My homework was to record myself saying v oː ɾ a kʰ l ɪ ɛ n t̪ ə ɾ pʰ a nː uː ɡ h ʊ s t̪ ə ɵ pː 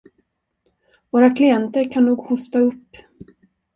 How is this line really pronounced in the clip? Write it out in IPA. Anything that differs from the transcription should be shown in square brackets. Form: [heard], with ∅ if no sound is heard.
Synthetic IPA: v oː ɾ a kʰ l ɪ ɛ n t̪ ə ɾ [kʰ] a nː uː ɡ h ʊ s t̪ [a] ɵ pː